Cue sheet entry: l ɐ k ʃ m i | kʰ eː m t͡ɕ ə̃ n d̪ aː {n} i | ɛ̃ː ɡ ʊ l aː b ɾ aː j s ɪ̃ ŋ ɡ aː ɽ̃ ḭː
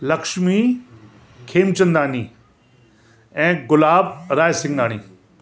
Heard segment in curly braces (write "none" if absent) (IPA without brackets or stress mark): n